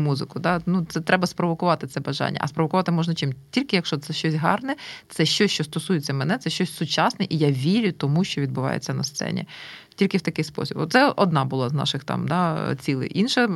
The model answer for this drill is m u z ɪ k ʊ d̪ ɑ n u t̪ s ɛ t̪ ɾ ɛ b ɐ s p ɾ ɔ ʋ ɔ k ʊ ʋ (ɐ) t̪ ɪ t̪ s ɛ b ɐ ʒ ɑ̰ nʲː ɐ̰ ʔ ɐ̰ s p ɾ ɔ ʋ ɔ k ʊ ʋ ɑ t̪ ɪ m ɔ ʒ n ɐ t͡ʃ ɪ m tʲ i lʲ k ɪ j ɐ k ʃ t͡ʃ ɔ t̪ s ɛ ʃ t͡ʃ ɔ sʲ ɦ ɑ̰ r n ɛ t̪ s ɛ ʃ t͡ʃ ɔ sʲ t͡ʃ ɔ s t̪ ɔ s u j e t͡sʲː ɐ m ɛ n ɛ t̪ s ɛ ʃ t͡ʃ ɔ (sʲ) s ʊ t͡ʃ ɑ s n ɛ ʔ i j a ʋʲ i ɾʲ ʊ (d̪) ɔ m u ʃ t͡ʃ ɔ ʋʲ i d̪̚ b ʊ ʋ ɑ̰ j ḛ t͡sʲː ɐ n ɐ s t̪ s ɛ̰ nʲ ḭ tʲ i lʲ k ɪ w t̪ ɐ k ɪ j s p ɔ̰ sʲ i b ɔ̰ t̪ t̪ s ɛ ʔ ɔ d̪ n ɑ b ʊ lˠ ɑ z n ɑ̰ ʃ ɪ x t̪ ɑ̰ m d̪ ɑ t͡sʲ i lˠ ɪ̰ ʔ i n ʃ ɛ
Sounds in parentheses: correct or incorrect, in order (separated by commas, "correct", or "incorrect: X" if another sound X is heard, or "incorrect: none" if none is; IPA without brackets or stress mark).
incorrect: ɑ, correct, incorrect: t̪